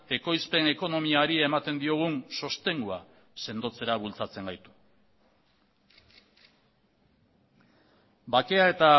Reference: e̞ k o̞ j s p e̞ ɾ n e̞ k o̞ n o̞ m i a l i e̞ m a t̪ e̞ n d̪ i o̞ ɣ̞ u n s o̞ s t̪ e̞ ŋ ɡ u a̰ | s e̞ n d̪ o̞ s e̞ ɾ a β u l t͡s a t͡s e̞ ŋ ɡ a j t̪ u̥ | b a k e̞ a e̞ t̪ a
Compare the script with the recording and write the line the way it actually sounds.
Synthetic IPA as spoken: e̞ k o̞ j s p e̞ n e̞ k o̞ n o̞ m i a ɾ i e̞ m a t̪ e̞ n d̪ i o̞ ɣ̞ u n s o̞ s t̪ e̞ ŋ ɡ u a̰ | s e̞ n d̪ o̞ t͡s e̞ ɾ a β u l t͡s a t͡s e̞ ŋ ɡ a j t̪ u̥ | b a k e̞ a e̞ t̪ a